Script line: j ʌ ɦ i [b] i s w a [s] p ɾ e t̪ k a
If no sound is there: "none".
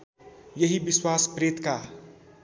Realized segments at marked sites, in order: b, s

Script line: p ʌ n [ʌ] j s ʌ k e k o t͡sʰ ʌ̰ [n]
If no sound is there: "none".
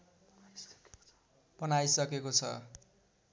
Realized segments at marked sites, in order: a, none

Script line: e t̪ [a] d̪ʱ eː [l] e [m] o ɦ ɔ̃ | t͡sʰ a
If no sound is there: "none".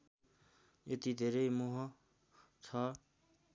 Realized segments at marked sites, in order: i, ɾ, m

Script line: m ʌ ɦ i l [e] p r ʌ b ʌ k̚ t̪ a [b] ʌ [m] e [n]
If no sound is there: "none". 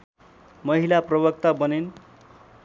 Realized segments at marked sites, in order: a, b, n, n

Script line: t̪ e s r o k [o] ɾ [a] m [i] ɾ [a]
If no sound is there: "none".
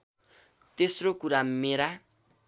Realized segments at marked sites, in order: u, a, e, a

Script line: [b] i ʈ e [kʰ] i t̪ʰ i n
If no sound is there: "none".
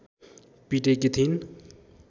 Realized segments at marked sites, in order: p, k

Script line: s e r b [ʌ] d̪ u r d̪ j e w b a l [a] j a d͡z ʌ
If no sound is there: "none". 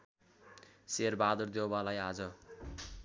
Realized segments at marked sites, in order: a, a

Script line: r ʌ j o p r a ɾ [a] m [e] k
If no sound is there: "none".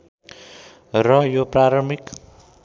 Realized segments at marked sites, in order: ʌ, i

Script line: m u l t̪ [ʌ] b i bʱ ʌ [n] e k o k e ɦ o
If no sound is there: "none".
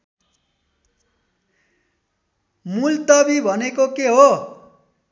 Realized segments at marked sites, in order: ʌ, n

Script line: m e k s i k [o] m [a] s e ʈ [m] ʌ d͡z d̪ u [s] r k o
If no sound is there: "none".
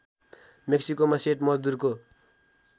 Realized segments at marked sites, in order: o, a, m, none

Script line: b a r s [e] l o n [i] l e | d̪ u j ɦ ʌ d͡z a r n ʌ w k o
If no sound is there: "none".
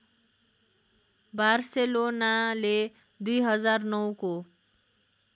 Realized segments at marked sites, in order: e, a

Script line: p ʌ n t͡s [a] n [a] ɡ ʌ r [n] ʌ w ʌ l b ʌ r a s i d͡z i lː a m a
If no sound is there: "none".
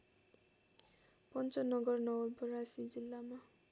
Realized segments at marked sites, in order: ʌ, ʌ, n

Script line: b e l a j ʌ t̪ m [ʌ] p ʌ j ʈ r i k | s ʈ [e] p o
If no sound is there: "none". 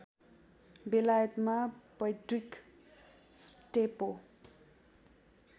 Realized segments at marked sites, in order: a, e

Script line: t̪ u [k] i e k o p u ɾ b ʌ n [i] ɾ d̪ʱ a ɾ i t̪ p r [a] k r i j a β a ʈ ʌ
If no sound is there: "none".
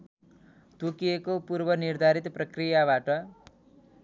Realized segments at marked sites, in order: k, i, ʌ

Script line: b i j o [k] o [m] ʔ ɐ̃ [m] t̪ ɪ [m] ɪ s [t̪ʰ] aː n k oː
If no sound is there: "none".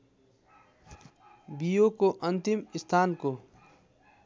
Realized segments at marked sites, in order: k, none, n, m, t̪ʰ

